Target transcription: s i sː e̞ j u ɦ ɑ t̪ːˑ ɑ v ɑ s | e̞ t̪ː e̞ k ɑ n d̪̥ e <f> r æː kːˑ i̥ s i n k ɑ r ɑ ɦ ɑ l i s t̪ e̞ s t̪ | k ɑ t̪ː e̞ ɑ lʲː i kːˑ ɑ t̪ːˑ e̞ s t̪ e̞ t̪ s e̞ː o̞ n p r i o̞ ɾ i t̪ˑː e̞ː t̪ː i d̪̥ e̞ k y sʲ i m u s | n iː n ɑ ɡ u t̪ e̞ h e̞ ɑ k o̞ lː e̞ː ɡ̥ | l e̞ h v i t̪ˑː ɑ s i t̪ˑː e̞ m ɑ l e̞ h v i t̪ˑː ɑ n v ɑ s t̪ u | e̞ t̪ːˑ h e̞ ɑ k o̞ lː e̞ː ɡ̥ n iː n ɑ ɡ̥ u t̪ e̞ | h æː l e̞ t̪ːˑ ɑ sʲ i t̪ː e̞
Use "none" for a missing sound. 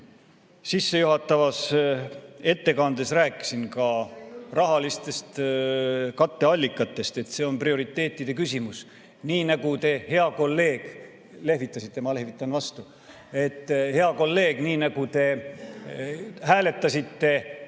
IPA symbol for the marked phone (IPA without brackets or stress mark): s